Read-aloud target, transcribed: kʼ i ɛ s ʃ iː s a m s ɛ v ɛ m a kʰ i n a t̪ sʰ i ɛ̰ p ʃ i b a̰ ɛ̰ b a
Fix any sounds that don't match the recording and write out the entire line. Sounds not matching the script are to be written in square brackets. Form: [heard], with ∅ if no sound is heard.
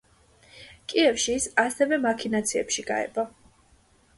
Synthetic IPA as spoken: kʼ i ɛ [f] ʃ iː s a [∅] s ɛ v ɛ m a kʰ i n a t̪ sʰ i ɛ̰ p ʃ i [ɡ] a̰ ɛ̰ b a